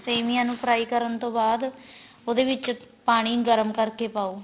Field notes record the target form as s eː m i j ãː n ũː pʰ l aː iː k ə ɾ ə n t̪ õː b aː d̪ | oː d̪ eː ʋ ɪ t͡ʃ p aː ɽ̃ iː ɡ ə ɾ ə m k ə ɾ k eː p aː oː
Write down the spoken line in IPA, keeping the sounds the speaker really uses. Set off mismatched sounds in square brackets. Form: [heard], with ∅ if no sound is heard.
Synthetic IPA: s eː m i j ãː n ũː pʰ [ɾ] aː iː k ə ɾ ə n t̪ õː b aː d̪ | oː d̪ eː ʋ ɪ t͡ʃ p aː ɽ̃ iː ɡ ə ɾ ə m k ə ɾ k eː p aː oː